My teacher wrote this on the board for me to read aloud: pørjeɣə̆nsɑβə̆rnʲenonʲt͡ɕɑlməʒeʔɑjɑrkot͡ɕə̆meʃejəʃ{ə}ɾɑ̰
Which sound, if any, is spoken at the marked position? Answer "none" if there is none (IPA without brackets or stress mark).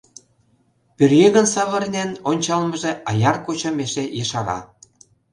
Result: ɑ